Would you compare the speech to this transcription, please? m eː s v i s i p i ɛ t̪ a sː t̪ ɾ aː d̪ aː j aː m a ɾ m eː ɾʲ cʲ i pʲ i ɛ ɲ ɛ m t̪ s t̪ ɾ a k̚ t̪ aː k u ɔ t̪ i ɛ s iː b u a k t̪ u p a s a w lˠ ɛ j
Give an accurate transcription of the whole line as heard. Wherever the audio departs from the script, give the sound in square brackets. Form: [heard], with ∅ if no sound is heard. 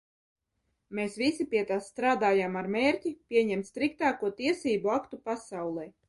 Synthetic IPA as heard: m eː s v i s i p i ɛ t̪ a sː t̪ ɾ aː d̪ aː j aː m a ɾ m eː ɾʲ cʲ i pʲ i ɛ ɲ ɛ m t̪ s t̪ ɾ [i] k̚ t̪ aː k u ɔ t̪ i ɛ s iː b u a k t̪ u p a s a w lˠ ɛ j